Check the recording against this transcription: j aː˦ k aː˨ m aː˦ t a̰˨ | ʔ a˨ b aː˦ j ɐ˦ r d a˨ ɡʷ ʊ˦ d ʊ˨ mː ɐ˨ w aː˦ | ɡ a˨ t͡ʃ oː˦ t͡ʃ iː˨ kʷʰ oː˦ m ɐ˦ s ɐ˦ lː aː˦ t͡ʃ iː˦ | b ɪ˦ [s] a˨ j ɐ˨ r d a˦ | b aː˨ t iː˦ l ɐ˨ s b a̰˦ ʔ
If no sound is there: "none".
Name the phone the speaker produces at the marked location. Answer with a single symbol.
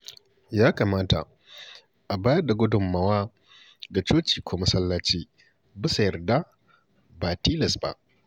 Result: s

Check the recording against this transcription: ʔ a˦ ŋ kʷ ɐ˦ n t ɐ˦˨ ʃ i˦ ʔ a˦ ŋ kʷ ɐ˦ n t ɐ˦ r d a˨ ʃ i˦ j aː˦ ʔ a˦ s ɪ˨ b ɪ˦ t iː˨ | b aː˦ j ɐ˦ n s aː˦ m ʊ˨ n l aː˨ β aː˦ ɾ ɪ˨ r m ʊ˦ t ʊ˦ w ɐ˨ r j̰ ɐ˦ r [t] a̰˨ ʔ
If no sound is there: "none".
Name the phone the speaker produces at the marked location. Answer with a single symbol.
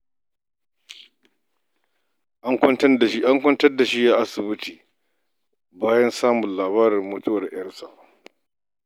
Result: s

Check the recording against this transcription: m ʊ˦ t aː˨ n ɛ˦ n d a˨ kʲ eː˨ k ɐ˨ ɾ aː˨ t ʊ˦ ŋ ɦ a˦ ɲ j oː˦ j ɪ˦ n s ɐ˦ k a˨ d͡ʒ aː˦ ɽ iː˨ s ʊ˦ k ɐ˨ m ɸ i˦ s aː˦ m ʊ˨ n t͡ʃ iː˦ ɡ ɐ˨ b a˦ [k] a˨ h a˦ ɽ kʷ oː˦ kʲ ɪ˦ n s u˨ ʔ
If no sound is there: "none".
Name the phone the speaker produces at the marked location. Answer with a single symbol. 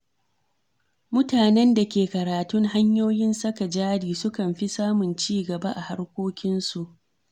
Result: ʔ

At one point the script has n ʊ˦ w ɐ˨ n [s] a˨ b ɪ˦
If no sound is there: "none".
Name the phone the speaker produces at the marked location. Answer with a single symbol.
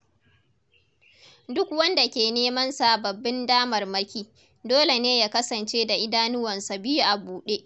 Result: s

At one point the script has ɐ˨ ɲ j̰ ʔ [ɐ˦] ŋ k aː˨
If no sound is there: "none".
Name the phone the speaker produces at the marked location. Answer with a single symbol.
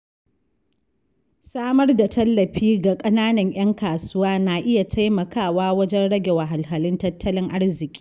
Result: ɐ˦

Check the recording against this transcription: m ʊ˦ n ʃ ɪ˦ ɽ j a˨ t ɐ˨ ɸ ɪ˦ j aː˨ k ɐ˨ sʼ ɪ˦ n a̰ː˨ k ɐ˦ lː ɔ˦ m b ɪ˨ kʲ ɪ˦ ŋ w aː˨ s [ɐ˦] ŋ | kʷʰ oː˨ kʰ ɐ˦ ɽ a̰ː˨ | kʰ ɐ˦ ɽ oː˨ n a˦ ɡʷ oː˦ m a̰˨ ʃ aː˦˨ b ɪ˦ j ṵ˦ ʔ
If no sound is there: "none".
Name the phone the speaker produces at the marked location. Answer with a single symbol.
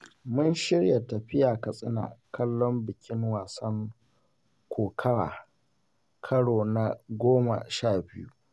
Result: ɐ˦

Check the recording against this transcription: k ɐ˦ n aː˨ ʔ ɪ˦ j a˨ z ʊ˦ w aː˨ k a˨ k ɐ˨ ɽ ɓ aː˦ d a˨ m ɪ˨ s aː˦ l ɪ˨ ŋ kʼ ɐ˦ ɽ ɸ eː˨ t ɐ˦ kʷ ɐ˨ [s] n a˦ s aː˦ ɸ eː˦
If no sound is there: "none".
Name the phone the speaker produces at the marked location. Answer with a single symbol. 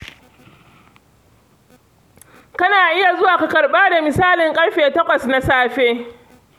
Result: s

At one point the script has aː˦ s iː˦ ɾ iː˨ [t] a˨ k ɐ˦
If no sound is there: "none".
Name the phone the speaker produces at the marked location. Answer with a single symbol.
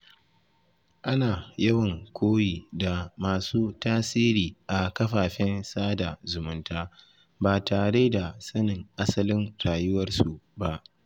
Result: ʔ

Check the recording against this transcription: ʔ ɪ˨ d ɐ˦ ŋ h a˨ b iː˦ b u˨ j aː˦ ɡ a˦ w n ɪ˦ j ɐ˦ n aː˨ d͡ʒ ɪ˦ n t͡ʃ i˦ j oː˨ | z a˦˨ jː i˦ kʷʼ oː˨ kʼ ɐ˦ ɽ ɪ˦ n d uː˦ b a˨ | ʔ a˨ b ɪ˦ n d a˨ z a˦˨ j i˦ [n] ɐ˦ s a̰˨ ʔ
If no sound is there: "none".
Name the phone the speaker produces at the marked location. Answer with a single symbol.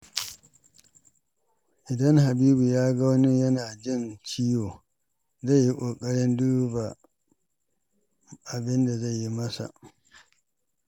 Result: m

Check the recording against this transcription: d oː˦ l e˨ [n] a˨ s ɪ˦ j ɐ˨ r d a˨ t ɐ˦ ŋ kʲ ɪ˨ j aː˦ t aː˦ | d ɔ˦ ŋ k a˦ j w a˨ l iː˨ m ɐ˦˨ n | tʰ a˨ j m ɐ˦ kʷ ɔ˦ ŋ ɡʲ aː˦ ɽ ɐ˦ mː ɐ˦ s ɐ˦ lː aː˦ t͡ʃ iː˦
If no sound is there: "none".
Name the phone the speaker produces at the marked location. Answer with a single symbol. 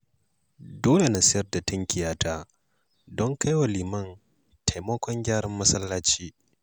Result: n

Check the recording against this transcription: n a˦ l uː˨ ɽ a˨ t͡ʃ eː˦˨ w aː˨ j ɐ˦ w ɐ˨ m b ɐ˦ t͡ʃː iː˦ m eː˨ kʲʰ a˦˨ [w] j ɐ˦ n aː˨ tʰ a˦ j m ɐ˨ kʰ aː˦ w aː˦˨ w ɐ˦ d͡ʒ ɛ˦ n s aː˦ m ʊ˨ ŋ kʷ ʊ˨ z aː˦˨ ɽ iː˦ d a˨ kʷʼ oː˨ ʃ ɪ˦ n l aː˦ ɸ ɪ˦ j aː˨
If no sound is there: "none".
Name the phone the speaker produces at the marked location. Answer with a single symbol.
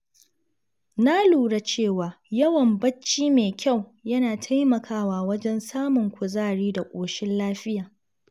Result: w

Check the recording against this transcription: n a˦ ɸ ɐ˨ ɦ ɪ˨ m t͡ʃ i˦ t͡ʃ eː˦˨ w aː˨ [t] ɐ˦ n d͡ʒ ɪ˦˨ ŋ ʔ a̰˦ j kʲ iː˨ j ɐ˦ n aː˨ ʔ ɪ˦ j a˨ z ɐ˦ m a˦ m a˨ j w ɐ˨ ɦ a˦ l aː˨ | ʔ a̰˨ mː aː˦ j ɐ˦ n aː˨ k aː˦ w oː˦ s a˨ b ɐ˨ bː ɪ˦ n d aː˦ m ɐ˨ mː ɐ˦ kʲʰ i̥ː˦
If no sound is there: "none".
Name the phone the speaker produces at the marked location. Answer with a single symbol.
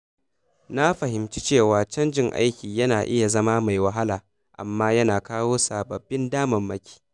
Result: t͡ʃ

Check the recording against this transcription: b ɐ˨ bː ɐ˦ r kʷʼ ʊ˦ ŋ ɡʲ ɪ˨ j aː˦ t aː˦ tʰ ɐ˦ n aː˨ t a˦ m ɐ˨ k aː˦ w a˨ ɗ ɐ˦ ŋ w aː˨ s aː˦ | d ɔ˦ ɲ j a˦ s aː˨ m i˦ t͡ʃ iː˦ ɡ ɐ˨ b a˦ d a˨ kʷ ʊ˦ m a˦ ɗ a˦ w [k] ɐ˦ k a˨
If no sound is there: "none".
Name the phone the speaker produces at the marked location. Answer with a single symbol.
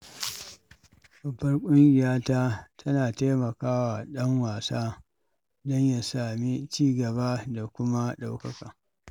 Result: k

